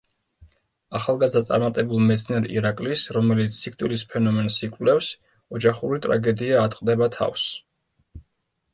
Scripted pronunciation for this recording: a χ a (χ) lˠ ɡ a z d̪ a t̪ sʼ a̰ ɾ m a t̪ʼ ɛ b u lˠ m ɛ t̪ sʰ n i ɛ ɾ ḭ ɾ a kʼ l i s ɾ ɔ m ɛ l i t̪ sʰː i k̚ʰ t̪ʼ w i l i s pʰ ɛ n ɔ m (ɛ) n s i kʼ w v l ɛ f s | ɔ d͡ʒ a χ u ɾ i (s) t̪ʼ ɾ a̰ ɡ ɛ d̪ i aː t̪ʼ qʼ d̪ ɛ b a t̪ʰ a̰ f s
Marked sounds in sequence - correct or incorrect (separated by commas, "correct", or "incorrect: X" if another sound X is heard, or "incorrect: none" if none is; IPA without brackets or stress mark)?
incorrect: none, correct, incorrect: none